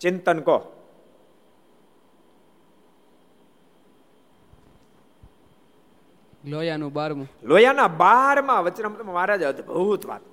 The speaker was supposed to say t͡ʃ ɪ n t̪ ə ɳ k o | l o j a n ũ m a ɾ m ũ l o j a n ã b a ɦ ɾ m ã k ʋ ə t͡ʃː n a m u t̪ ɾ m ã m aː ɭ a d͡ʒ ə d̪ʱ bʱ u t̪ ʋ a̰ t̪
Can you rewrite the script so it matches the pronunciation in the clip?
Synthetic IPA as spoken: t͡ʃ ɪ n t̪ ə n k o | l o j a n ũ b a ɾ m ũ l o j a n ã b a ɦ ɾ m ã ʋ ə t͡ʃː n a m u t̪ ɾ m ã m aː ɾ a d͡ʒ ə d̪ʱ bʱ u t̪ ʋ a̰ t̪